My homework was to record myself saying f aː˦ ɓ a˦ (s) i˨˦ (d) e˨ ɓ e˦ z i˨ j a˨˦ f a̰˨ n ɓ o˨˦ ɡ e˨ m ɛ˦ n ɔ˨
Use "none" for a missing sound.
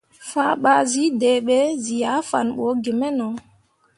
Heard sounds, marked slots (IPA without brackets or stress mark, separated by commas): z, d